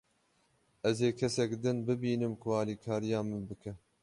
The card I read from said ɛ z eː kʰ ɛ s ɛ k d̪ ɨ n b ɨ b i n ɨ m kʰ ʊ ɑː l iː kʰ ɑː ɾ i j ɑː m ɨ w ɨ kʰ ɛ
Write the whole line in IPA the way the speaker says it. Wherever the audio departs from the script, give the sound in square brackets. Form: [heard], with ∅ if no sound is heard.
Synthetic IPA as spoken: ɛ z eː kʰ ɛ s ɛ k d̪ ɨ n b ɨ b [iː] n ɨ m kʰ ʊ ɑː l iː kʰ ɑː ɾ i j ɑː m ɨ [b] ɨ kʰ ɛ